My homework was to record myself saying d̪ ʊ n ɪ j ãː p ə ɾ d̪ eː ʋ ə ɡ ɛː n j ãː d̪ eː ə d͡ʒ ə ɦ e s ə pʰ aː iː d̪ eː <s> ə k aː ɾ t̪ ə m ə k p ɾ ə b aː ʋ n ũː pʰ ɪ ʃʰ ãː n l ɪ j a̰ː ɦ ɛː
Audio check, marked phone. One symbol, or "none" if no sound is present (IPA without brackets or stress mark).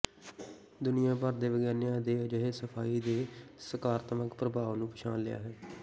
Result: s